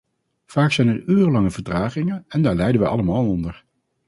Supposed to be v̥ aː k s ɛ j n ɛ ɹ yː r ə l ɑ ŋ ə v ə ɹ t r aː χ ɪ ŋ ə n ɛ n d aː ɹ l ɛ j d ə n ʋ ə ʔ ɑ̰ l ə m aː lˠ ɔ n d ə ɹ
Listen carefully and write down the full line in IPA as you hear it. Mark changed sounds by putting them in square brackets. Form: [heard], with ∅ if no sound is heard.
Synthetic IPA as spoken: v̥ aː k s ɛ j n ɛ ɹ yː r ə l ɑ ŋ ə v ə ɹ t r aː χ ɪ ŋ ə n ɛ n d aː ɹ l ɛ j d ə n ʋ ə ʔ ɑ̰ l ə m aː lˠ ɔ n d ə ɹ